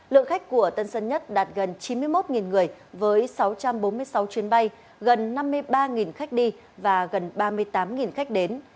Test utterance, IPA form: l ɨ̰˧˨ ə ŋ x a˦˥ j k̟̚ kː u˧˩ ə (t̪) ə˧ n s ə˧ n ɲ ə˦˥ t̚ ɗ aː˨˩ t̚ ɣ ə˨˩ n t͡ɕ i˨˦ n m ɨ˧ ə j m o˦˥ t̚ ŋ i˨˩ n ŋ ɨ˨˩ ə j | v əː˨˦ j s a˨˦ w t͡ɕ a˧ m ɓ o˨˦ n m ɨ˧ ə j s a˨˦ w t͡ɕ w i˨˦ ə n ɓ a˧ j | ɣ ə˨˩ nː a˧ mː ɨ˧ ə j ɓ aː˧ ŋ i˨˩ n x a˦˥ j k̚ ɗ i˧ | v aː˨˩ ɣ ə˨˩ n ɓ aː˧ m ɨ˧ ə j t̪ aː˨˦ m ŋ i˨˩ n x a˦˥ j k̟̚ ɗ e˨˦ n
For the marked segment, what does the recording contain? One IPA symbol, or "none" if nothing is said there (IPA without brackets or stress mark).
t̪